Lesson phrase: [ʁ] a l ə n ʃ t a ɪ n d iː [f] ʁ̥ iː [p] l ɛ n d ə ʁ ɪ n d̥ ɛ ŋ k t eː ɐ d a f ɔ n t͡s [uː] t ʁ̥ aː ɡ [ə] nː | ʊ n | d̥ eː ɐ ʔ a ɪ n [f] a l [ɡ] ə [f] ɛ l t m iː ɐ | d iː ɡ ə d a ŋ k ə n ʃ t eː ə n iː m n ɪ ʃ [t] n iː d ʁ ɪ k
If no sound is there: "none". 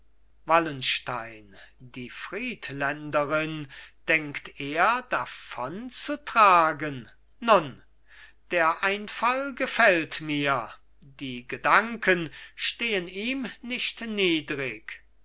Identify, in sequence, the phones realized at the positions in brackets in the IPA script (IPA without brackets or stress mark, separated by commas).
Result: v, f, t, u, ə, f, ɡ, f, t